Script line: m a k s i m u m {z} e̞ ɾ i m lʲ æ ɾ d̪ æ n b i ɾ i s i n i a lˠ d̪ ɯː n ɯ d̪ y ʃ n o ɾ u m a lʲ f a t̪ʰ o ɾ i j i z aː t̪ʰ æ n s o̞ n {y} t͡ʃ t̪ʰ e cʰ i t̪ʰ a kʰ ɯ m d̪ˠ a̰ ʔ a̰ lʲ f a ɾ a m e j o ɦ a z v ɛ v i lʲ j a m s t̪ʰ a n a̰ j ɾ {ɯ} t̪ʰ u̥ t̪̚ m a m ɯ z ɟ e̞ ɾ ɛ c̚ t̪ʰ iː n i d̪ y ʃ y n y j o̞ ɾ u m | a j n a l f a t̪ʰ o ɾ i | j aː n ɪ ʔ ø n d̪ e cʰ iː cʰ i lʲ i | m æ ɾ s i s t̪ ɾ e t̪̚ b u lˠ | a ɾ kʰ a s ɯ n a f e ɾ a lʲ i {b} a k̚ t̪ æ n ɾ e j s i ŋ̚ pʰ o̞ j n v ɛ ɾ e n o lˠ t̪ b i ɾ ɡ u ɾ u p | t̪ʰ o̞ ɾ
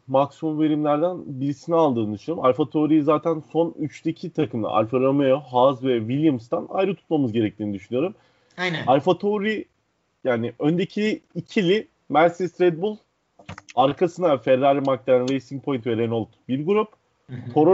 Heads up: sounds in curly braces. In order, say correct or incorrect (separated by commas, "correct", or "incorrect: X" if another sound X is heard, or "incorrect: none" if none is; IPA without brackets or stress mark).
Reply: incorrect: v, correct, correct, incorrect: m